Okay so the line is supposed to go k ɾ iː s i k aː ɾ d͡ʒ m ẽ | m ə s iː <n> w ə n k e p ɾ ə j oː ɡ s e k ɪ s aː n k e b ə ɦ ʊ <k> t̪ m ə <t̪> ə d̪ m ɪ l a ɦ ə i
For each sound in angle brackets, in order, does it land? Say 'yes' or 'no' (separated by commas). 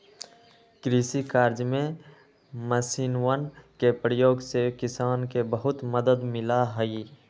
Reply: yes, no, no